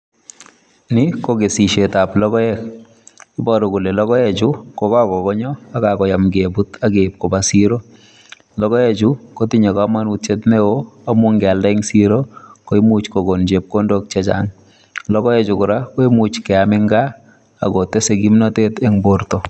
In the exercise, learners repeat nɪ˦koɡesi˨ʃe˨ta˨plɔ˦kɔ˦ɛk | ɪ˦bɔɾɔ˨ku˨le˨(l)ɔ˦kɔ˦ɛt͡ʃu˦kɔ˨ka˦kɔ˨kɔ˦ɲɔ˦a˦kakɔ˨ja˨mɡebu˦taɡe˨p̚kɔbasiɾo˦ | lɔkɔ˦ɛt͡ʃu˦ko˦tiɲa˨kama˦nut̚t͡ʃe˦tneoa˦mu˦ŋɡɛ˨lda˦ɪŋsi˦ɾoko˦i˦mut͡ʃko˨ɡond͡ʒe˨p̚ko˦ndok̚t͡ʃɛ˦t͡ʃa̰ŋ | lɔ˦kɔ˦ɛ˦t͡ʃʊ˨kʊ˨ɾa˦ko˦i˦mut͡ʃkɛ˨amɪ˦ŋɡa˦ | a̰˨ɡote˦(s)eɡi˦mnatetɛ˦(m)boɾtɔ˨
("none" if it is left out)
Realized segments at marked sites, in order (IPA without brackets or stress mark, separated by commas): l, s, ŋ